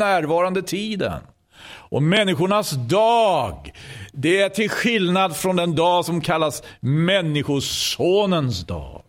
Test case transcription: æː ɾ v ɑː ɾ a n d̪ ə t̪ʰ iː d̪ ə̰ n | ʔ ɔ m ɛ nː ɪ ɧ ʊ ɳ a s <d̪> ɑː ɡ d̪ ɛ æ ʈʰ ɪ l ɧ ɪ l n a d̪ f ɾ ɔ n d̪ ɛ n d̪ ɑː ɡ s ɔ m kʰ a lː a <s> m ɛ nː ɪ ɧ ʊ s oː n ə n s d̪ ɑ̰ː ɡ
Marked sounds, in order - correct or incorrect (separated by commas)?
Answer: correct, correct